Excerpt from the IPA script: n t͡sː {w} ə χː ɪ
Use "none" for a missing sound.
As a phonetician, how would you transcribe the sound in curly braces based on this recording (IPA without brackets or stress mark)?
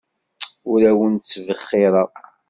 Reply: v